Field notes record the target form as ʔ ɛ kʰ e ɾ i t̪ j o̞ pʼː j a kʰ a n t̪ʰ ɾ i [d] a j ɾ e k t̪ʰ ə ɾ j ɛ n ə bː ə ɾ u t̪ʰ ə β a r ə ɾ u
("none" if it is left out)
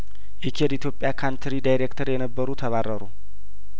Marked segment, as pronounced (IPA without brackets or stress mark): d